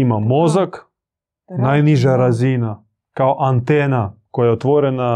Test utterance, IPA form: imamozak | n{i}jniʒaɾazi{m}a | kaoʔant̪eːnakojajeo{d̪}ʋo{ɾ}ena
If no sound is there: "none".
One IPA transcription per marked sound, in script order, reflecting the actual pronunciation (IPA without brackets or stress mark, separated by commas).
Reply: a, n, t̪, ɾ